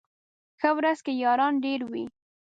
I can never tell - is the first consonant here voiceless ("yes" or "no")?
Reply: yes